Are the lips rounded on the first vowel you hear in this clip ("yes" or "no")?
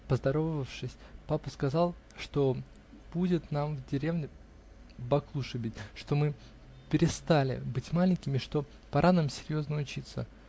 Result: no